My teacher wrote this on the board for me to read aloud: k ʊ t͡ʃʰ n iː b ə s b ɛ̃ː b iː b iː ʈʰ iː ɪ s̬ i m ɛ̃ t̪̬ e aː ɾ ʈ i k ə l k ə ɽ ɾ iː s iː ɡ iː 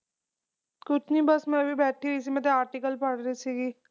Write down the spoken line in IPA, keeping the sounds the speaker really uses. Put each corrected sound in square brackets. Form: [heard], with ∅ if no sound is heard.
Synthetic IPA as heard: k ʊ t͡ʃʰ n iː b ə s [m] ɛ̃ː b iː b [ɛː] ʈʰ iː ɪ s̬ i m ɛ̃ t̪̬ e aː ɾ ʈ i k ə l [p] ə ɽ ɾ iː s iː ɡ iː

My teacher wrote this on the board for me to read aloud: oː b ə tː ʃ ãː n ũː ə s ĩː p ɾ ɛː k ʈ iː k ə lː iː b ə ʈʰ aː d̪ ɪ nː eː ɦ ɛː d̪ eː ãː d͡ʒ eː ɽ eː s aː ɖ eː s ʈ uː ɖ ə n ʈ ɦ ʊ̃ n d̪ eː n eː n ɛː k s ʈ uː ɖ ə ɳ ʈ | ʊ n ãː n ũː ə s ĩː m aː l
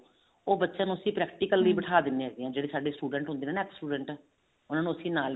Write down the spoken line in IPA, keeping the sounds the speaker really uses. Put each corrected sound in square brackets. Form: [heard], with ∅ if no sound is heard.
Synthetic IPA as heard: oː b ə tː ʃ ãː n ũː ə s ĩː p ɾ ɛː k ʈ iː k ə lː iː b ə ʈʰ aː d̪ ɪ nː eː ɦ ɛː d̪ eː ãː d͡ʒ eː ɽ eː s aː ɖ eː s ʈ uː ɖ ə [ɳ] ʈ ɦ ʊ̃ n d̪ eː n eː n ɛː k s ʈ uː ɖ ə ɳ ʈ | ʊ n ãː n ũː ə s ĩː [n] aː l

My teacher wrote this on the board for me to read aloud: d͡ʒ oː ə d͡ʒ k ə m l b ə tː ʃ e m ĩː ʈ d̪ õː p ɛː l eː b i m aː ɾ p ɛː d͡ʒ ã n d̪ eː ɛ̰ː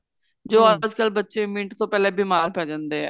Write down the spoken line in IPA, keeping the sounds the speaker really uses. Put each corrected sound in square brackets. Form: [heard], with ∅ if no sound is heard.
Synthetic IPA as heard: d͡ʒ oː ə d͡ʒ k ə [∅] l b ə tː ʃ e m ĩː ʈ [t̪] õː p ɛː l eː b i m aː ɾ p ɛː d͡ʒ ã n d̪ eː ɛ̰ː

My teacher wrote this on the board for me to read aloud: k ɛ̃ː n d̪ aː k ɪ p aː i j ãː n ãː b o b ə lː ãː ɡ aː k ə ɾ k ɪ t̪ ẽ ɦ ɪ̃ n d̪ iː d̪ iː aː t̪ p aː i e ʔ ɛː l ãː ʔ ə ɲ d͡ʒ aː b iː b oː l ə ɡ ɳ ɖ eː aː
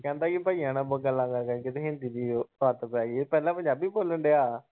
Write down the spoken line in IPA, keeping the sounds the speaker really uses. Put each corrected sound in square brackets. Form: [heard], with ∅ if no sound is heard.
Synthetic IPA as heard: k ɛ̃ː n d̪ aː k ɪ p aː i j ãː n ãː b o [ɡ] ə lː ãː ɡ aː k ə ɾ k ɪ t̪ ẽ ɦ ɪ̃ n d̪ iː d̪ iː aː t̪ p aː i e [p] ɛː l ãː [p] ə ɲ d͡ʒ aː b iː b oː l ə [∅] ɳ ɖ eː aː

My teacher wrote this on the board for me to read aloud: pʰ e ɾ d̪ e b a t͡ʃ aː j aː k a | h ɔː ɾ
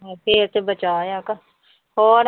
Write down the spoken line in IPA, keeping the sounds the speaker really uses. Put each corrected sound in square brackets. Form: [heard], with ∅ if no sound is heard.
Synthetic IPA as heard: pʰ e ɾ [t̪] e b [ə] t͡ʃ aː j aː k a | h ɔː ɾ

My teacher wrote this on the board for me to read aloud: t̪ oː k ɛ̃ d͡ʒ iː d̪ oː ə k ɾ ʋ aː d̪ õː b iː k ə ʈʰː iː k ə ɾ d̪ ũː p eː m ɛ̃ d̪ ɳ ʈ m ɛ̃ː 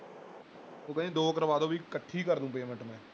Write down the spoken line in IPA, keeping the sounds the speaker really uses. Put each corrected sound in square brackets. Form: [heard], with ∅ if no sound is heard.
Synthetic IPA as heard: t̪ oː k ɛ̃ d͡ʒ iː d̪ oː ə k ɾ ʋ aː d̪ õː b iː k ə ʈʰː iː k ə ɾ d̪ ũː p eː m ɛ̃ [∅] ɳ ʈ m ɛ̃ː

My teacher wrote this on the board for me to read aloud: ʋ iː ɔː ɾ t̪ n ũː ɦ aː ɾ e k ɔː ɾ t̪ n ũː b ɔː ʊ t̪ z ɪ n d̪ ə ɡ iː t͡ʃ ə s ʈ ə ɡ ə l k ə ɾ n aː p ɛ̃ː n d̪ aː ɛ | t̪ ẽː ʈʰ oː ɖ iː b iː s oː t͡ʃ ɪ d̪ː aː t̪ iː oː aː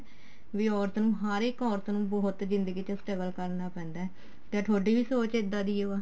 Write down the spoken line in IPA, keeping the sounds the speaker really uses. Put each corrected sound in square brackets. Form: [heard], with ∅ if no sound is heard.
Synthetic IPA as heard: ʋ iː ɔː ɾ t̪ n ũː ɦ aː ɾ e k ɔː ɾ t̪ n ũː b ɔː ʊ t̪ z ɪ n d̪ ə ɡ iː t͡ʃ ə s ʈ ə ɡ ə l k ə ɾ n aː p ɛ̃ː n d̪ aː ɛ | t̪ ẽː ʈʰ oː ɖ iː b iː s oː t͡ʃ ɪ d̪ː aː [d̪] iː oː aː

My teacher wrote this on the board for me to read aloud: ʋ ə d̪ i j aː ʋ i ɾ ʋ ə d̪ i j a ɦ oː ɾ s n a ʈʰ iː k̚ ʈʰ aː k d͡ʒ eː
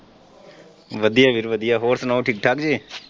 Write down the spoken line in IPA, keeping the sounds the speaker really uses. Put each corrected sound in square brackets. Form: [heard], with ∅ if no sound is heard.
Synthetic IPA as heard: ʋ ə d̪ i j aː ʋ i ɾ ʋ ə d̪ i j a ɦ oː ɾ s n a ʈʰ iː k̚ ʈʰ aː k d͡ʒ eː

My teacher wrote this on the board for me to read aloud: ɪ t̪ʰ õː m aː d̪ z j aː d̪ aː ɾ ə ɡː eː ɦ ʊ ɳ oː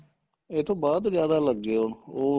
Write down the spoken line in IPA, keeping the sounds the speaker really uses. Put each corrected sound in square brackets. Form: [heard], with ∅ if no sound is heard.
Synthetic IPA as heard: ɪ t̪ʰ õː [b] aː d̪ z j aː d̪ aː [l] ə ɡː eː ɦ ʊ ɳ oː

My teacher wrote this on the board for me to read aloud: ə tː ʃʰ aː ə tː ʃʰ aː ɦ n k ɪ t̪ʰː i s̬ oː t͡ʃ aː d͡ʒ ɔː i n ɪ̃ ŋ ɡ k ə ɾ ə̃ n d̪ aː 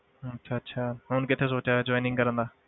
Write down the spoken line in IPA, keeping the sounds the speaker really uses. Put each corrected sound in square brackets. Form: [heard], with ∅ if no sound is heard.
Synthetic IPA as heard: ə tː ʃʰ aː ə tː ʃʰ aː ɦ n k ɪ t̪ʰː [e] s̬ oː t͡ʃ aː d͡ʒ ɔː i n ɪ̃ ŋ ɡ k ə ɾ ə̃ n d̪ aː

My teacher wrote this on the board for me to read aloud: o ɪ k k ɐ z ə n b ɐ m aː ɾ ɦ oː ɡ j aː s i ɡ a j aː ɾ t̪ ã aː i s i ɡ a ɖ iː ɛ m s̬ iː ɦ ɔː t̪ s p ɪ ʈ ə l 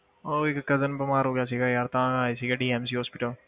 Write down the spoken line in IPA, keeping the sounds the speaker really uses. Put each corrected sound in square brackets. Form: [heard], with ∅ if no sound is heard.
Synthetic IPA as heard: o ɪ k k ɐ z ə n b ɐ m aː ɾ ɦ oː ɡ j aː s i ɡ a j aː ɾ t̪ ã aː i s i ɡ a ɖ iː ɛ m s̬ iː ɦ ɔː [∅] s p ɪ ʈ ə l

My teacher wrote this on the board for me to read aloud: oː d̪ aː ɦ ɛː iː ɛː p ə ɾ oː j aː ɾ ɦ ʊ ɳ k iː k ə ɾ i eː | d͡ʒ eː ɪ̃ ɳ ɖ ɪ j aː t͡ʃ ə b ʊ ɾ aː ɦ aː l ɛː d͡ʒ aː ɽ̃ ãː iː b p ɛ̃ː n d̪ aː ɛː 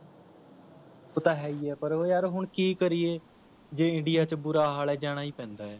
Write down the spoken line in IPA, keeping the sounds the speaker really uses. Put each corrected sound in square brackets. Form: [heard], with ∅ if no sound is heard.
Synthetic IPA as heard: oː [t̪] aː ɦ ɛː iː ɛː p ə ɾ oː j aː ɾ ɦ ʊ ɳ k iː k ə ɾ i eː | d͡ʒ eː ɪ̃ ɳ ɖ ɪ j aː t͡ʃ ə b ʊ ɾ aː ɦ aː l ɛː d͡ʒ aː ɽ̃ [aː] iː [∅] p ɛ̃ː n d̪ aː ɛː

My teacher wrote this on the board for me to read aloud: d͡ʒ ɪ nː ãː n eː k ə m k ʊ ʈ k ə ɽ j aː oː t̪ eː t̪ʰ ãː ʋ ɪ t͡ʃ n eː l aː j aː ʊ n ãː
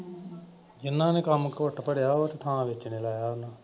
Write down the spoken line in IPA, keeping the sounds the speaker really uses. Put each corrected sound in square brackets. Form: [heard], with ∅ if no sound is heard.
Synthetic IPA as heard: d͡ʒ ɪ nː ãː n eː k ə m k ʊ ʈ [p] ə ɽ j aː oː t̪ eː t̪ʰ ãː ʋ ɪ t͡ʃ n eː l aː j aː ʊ n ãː

